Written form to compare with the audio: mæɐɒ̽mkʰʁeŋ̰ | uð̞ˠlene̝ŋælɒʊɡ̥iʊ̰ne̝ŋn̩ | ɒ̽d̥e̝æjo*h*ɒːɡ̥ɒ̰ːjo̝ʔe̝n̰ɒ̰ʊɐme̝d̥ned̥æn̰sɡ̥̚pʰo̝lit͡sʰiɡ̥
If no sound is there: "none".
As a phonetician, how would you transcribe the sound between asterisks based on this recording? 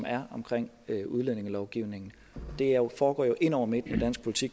f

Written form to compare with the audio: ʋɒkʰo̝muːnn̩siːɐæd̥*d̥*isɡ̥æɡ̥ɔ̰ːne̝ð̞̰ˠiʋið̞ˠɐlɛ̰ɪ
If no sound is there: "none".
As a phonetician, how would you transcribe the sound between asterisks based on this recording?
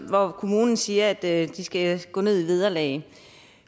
d̥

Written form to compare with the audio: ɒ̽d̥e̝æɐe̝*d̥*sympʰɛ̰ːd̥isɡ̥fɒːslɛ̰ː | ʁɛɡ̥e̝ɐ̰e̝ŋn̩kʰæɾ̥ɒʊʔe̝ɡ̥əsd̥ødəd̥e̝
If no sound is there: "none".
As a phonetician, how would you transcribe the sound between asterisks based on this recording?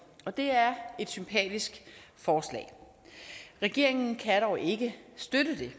d̥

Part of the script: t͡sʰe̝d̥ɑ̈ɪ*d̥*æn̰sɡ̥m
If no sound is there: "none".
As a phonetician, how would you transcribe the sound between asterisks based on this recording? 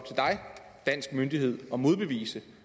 d̥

